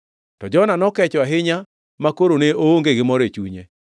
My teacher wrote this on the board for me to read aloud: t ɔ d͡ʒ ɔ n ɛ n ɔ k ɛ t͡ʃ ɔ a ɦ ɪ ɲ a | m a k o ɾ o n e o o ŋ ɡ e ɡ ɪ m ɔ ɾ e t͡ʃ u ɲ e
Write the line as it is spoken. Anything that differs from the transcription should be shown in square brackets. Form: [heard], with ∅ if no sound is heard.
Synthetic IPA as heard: t ɔ d͡ʒ ɔ n [a] n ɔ k ɛ t͡ʃ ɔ a ɦ ɪ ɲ a | m a k o ɾ o n e o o ŋ ɡ e ɡ ɪ m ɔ ɾ e t͡ʃ u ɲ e